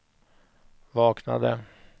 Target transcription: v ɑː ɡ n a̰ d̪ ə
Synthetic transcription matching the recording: v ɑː k n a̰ d̪ ə